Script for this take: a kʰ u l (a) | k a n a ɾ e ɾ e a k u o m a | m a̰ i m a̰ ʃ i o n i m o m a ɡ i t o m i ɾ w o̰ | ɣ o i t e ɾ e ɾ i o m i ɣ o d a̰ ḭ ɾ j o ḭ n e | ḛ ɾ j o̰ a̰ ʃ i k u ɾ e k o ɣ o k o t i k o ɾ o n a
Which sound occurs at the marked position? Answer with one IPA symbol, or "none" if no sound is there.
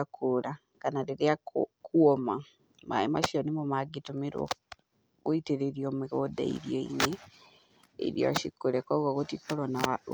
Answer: a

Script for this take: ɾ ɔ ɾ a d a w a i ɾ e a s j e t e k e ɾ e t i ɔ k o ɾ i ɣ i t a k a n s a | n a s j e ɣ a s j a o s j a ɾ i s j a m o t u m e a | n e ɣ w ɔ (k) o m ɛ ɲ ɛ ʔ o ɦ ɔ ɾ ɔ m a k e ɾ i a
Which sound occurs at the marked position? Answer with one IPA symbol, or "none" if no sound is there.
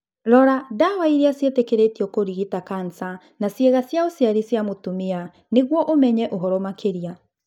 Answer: ʔ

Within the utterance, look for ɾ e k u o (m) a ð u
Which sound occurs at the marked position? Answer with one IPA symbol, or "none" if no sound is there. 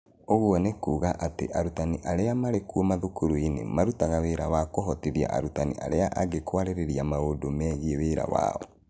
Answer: m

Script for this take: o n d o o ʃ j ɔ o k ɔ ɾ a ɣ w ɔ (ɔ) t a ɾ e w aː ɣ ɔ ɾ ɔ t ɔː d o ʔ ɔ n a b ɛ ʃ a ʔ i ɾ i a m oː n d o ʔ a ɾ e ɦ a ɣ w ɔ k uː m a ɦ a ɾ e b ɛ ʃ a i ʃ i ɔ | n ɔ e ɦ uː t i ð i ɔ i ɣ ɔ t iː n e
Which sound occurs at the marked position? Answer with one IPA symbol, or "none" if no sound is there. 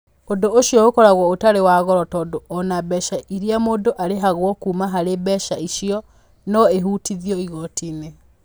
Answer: o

